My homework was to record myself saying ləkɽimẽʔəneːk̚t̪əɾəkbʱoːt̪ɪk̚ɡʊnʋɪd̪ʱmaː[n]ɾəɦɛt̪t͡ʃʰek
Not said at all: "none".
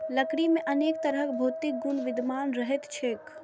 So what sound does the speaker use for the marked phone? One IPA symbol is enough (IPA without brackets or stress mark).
n